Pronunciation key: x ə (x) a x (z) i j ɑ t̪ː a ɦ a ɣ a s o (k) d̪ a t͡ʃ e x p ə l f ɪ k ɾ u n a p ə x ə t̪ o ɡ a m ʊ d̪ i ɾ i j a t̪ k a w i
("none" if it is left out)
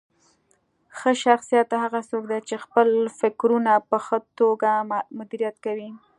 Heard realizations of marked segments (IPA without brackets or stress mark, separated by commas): ʃ, s, k